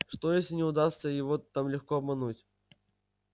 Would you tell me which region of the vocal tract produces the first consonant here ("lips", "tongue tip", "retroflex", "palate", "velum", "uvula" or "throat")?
retroflex